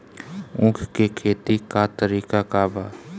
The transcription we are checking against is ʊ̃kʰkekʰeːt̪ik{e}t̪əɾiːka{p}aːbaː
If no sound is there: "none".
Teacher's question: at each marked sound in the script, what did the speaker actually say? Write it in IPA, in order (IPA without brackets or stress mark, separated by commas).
a, k